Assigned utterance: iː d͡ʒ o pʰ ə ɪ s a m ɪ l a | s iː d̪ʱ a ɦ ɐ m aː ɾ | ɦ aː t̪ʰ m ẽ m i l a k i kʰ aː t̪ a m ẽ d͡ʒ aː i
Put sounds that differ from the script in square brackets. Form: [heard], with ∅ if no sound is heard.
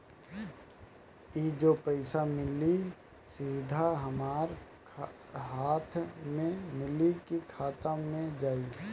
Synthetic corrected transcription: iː d͡ʒ o [p] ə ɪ s a m ɪ l [i] | s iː d̪ʱ a ɦ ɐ m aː ɾ | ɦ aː t̪ʰ m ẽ m [ɪ] l [i] k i kʰ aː t̪ a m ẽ d͡ʒ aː i